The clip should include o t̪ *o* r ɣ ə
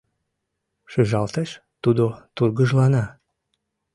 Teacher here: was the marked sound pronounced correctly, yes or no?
no